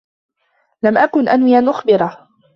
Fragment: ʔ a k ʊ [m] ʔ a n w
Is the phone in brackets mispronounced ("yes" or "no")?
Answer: yes